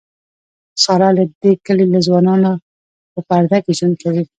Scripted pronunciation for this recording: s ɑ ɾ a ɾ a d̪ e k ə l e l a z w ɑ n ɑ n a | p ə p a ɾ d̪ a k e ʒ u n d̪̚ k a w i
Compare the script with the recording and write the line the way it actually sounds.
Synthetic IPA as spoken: s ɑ ɾ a l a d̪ e k ə l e l a z w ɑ n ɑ n a | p ə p a ɾ d̪ a k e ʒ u n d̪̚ k a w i